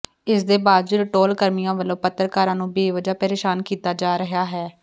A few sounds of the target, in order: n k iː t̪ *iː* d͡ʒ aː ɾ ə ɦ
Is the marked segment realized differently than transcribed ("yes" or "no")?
yes